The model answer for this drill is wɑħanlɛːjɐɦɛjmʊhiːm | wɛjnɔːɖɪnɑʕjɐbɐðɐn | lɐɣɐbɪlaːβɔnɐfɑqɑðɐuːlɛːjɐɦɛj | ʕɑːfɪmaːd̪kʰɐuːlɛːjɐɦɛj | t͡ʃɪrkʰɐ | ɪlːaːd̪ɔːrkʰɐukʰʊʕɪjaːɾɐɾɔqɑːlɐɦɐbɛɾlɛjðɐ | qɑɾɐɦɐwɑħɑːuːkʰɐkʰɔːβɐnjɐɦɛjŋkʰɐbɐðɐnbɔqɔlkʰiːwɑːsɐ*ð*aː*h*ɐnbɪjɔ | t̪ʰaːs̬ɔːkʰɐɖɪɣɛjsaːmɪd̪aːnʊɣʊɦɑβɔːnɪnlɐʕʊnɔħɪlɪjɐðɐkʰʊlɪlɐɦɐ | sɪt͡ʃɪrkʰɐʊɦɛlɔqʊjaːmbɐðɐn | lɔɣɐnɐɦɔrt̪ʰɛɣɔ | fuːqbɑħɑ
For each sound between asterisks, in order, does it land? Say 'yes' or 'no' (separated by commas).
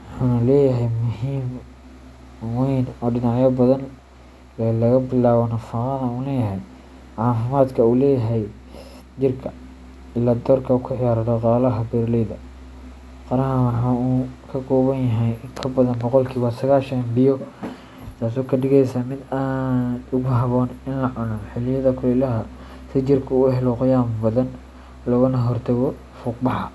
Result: no, no